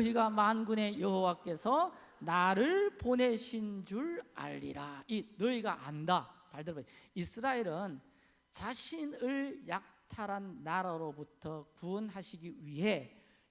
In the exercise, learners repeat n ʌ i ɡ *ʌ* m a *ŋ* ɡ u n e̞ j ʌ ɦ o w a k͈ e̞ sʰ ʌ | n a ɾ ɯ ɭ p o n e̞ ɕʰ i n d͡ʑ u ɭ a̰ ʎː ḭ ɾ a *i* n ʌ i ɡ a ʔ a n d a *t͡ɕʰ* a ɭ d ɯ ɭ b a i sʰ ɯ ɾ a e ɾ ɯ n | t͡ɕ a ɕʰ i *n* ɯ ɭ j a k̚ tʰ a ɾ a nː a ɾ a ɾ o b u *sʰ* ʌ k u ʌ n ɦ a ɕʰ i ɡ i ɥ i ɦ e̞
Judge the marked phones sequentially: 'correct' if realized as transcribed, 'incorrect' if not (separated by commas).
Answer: incorrect, incorrect, correct, incorrect, correct, incorrect